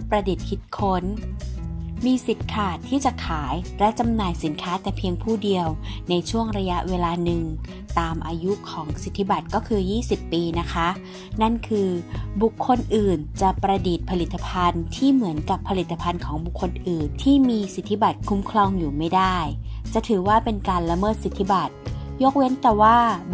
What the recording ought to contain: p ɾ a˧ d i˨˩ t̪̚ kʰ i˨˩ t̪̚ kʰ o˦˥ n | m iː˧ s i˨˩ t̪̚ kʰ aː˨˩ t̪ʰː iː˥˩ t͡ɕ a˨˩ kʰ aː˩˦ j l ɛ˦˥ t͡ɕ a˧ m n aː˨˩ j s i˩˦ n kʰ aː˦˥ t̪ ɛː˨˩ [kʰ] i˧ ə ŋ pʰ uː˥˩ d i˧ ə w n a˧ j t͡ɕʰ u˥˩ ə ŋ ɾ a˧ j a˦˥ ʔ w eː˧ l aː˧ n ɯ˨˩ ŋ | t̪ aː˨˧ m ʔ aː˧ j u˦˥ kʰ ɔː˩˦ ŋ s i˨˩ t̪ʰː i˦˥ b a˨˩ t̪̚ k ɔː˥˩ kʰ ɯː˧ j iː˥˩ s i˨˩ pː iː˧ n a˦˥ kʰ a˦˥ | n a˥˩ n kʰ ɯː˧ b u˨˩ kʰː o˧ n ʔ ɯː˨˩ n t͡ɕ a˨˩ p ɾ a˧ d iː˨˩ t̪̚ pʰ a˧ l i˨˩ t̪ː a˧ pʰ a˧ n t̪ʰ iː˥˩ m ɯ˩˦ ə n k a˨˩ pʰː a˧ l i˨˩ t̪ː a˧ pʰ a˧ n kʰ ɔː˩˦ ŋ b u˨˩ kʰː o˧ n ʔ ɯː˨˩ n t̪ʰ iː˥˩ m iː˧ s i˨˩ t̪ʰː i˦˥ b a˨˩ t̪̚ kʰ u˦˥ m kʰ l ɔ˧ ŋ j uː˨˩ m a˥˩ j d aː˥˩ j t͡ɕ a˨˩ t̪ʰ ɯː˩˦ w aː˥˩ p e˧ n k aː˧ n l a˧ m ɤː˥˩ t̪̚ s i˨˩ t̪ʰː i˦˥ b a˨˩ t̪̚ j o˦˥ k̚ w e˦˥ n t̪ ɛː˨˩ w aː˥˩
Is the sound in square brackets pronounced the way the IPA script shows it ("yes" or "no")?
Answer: no